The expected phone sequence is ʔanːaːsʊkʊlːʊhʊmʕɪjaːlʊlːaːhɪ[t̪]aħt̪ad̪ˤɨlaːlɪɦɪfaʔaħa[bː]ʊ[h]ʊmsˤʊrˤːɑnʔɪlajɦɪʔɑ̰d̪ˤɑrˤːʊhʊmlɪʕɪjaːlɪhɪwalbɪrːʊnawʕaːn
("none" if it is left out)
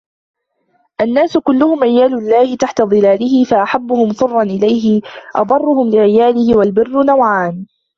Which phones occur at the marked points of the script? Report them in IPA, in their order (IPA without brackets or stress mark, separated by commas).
t̪, bː, h